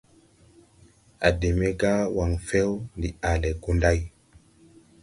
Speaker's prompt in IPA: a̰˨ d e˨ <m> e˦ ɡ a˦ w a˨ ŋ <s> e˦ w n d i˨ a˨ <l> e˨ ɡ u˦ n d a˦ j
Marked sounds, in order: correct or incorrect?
correct, incorrect: f, correct

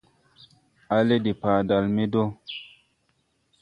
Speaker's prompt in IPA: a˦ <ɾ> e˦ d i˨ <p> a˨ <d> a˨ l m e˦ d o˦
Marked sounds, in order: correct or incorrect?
incorrect: l, correct, correct

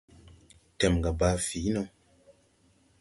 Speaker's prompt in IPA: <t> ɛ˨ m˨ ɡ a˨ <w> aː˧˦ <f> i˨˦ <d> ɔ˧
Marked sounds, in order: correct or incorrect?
correct, incorrect: b, correct, incorrect: n

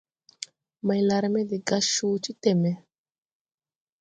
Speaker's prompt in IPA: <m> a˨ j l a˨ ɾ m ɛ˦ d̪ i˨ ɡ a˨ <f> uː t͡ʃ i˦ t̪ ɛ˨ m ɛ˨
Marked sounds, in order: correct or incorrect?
correct, incorrect: ʃ

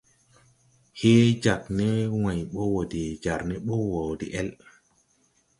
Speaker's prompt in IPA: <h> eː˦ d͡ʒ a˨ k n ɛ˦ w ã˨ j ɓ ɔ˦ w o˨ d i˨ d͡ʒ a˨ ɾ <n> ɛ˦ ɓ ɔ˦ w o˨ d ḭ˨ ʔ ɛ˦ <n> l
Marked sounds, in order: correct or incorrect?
correct, correct, incorrect: none

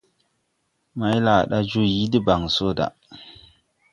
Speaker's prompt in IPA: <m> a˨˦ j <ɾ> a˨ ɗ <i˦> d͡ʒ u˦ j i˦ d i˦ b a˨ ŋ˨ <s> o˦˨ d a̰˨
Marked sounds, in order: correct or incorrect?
correct, incorrect: l, incorrect: a˦, correct

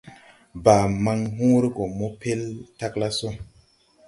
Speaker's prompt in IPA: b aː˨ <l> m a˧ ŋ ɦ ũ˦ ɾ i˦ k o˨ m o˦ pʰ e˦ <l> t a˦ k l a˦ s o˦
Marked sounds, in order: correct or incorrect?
incorrect: none, correct

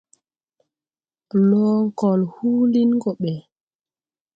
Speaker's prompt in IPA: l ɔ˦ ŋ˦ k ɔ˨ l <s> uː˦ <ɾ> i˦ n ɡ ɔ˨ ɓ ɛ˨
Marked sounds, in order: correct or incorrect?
incorrect: h, incorrect: l

